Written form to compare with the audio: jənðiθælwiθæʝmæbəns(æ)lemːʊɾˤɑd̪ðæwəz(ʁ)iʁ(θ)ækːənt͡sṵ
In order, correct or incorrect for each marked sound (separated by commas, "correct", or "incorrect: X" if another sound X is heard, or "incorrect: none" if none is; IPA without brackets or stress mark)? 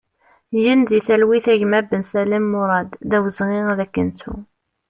correct, correct, incorrect: ð